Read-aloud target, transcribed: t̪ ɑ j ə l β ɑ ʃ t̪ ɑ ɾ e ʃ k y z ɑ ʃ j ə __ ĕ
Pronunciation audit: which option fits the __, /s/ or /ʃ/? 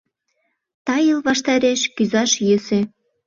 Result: s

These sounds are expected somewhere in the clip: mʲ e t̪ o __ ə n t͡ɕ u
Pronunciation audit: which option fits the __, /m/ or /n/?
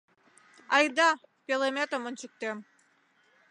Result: m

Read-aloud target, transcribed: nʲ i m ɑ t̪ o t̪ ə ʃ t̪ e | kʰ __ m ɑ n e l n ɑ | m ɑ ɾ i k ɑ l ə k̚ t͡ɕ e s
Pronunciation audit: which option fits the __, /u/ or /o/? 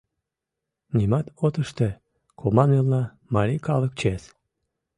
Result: o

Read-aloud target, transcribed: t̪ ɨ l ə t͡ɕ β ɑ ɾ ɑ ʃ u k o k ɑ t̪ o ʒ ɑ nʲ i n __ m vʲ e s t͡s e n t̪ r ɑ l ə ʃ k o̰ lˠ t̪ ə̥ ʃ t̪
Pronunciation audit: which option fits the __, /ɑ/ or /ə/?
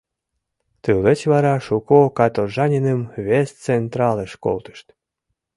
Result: ə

